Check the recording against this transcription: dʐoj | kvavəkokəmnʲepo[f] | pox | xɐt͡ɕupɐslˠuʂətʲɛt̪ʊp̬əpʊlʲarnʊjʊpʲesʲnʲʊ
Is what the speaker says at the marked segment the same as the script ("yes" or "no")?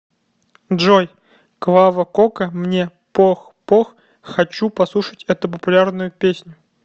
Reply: no